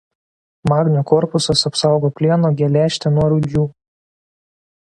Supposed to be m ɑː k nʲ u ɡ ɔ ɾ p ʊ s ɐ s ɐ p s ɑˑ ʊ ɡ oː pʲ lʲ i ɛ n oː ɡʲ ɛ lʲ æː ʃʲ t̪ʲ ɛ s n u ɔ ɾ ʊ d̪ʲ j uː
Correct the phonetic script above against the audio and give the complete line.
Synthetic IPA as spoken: m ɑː ɡ nʲ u k ɔ ɾ p ʊ s ɐ s ɐ p s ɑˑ ʊ ɡ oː pʲ lʲ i ɛ n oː ɡʲ ɛ lʲ æː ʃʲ t̪ʲ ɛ n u ɔ ɾ ʊ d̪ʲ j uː